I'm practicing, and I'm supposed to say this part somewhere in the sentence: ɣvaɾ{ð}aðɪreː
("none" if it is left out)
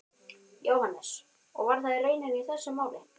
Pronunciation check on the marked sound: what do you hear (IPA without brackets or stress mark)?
θ